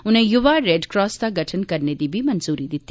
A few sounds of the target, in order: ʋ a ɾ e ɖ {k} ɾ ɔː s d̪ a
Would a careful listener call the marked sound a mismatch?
no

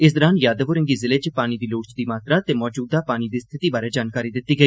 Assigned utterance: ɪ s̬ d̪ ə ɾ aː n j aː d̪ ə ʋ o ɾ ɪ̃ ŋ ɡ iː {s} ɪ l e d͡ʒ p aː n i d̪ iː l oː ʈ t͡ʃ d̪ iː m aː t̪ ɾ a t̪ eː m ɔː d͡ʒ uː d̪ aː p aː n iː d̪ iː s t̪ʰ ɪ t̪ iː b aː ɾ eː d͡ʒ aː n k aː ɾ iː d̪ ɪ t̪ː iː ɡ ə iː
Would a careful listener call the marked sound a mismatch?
yes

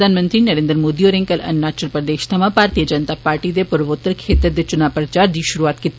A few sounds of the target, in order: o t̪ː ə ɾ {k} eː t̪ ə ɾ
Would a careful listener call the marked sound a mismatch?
yes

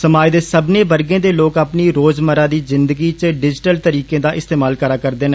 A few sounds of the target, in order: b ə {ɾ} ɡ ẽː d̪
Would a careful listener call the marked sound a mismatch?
no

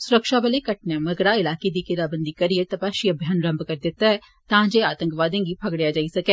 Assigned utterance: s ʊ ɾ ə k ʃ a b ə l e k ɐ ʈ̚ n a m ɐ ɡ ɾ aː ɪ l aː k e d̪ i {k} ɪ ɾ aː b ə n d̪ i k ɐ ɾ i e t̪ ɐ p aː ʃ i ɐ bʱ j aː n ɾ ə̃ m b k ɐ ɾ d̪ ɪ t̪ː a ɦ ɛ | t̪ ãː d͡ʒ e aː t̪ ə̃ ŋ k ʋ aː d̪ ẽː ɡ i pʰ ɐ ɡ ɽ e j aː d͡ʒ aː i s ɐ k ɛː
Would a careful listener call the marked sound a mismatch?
no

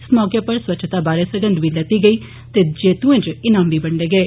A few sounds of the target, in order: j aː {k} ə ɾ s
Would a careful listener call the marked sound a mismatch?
yes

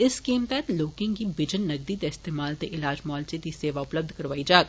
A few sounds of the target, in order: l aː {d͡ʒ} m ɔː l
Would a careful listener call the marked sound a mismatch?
no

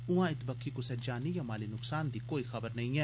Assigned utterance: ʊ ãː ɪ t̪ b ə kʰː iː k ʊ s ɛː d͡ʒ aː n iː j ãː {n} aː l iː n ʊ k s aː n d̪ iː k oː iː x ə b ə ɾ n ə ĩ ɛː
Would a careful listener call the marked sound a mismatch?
yes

